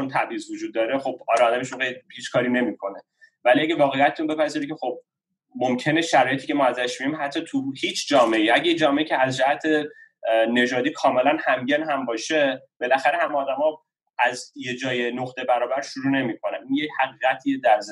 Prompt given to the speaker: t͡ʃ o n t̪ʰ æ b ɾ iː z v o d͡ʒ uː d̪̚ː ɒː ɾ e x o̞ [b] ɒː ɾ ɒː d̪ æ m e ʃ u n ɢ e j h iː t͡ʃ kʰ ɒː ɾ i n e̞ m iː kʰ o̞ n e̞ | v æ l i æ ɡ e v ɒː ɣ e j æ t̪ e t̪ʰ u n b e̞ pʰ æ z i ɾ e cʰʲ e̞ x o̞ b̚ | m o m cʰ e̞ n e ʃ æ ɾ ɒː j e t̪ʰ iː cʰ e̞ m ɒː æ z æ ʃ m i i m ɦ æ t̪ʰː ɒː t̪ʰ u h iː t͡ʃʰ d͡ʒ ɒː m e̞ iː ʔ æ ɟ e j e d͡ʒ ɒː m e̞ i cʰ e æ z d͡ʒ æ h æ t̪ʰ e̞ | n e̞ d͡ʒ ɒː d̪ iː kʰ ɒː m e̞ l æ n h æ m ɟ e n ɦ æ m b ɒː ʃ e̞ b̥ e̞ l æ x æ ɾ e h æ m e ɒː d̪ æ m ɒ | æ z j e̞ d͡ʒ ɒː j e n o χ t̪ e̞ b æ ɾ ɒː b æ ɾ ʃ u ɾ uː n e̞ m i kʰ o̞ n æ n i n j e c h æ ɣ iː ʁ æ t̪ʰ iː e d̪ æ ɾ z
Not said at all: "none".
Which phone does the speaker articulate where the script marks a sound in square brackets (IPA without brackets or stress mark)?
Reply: b